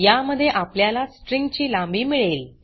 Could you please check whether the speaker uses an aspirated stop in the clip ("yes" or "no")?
no